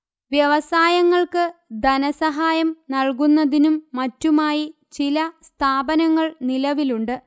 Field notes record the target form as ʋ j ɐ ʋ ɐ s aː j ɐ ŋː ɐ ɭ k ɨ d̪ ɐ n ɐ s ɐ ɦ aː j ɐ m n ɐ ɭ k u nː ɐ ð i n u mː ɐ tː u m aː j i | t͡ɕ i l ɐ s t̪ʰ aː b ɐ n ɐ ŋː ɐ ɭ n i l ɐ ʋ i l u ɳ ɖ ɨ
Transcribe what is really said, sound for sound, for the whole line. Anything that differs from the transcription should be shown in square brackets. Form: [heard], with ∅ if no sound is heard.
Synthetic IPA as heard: ʋ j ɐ ʋ ɐ s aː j ɐ ŋː ɐ ɭ k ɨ d̪ ɐ n ɐ s ɐ ɦ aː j ɐ m n ɐ ɭ k u nː ɐ ð i n u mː ɐ tː u m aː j i | t͡ɕ i l ɐ s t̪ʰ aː b ɐ n ɐ ŋː ɐ ɭ n i l ɐ ʋ i l u ɳ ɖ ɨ